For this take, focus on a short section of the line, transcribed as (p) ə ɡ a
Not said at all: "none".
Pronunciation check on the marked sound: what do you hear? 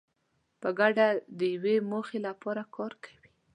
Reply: p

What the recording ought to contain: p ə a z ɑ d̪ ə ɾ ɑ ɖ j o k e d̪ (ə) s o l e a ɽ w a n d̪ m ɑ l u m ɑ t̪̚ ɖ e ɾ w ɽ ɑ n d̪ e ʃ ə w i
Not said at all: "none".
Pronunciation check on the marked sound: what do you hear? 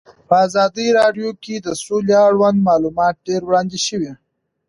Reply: ə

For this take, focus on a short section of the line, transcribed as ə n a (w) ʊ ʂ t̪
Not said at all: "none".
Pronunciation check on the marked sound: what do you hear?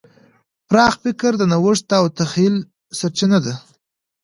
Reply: w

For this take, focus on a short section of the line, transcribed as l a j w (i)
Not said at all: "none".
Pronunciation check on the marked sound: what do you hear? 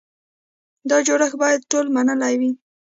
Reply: i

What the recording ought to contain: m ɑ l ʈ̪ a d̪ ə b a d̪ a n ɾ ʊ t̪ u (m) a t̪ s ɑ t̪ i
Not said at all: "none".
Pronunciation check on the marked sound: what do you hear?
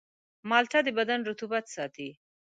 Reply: b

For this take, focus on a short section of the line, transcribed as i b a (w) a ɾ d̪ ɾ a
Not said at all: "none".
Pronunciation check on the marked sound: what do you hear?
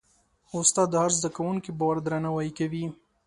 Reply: w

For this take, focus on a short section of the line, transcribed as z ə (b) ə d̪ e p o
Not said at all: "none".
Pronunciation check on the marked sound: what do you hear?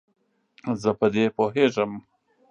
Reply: p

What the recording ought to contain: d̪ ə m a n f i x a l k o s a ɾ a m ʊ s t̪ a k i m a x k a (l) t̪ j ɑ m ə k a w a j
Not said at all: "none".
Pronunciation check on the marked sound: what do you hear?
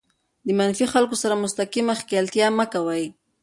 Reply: l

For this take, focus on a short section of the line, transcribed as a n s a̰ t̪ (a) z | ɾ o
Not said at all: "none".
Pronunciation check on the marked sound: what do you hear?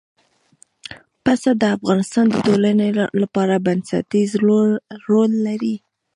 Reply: i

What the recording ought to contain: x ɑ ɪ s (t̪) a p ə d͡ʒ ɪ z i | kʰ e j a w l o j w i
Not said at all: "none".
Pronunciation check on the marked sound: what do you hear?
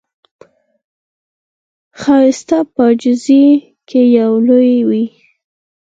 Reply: t̪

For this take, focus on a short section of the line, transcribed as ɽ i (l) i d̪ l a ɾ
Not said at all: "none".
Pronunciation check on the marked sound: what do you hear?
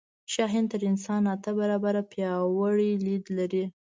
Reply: l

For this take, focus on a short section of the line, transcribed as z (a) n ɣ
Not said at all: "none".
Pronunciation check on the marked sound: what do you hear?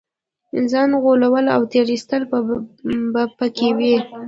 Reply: ɑ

